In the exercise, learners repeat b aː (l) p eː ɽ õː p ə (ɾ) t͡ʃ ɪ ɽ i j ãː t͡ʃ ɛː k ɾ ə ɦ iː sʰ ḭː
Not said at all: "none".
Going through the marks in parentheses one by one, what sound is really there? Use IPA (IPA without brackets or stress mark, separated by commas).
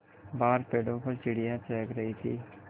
ɾ, ɾ